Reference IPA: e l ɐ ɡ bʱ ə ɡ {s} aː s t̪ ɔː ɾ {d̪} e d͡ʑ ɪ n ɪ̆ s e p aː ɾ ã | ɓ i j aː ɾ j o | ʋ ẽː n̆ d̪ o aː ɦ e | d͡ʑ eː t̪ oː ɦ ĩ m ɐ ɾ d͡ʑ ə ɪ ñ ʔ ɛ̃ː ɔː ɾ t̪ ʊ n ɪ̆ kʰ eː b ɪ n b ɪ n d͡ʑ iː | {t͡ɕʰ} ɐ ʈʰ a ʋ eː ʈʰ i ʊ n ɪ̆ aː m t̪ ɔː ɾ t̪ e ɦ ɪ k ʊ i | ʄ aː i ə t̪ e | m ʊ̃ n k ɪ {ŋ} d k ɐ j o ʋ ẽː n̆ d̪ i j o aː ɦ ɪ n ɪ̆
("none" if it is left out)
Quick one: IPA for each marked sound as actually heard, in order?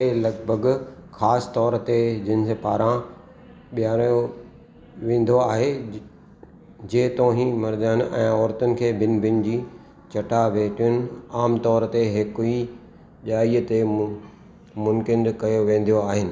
x, t̪, t͡ɕ, n

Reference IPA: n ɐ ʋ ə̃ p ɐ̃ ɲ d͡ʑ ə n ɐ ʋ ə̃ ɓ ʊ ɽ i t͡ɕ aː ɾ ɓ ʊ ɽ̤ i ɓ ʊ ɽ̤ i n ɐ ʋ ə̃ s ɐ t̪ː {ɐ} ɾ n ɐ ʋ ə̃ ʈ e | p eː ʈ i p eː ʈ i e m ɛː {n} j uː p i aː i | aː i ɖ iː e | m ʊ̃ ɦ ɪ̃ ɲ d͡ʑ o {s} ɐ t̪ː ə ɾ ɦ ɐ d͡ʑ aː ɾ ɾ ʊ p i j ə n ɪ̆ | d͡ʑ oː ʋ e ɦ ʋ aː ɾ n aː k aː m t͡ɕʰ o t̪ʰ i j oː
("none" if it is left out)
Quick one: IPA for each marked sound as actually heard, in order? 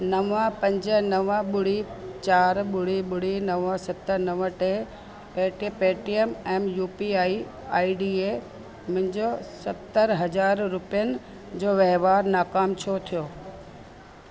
ə, m, s

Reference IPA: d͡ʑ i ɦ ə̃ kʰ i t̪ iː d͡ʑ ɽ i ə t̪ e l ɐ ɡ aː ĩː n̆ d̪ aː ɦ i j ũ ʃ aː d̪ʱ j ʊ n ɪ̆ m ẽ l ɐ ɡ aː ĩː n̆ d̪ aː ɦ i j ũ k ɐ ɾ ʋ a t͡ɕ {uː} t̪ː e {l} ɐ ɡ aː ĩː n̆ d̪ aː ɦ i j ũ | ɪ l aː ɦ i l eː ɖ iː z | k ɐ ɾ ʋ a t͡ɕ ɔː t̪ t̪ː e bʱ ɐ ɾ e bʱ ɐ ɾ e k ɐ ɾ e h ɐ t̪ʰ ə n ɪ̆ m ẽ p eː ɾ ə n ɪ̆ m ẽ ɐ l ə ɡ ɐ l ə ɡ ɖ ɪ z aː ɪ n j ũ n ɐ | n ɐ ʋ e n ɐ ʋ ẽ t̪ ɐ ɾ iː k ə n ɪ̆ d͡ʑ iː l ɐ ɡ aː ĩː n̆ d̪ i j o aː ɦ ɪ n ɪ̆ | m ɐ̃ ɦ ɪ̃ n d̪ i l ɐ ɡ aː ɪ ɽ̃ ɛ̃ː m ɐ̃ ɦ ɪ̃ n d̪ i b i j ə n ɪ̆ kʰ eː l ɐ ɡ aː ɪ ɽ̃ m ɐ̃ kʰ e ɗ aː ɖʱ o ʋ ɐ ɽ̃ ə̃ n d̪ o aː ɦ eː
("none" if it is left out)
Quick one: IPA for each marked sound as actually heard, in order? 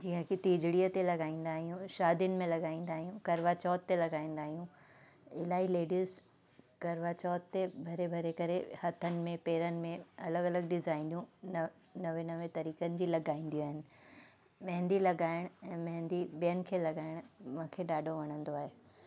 ɔː, l

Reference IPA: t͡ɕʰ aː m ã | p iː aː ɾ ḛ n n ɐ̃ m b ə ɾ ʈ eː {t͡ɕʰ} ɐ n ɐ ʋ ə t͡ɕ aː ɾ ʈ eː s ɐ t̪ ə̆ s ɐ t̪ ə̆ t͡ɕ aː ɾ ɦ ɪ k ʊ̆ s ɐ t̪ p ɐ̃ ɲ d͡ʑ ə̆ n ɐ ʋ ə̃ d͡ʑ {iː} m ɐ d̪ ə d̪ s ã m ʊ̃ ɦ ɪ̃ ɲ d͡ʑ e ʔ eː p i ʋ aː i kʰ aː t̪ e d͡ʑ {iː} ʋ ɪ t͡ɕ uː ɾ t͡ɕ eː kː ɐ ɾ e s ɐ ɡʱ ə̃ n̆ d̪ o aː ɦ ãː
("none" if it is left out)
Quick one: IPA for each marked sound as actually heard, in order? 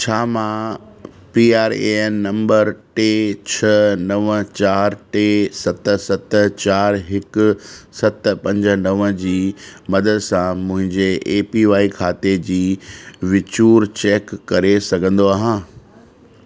t͡ɕʰ, iː, iː

